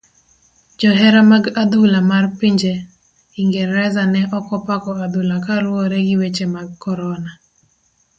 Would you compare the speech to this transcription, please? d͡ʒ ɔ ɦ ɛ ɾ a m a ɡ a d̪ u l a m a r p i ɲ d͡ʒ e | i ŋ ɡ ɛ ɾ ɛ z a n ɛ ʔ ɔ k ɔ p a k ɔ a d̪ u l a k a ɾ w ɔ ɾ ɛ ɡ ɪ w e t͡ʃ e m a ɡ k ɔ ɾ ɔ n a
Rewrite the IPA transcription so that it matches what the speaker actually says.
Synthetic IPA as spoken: d͡ʒ ɔ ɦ ɛ ɾ a m a ɡ a d̪ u l a m a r p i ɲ d͡ʒ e | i ŋ ɡ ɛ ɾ ɛ z a n ɛ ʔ ɔ k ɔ p a k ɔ a d̪ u l a k a ɾ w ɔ ɾ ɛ ɡ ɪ w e t͡ʃ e m a ɡ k ɔ ɾ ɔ n a